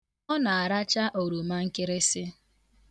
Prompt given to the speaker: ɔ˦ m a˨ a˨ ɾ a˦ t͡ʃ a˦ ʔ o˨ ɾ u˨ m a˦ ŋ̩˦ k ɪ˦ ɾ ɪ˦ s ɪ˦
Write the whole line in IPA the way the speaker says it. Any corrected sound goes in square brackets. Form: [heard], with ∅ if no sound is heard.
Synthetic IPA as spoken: ɔ˦ [n] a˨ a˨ ɾ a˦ t͡ʃ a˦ ʔ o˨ ɾ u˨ m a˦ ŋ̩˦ k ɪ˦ ɾ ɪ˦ s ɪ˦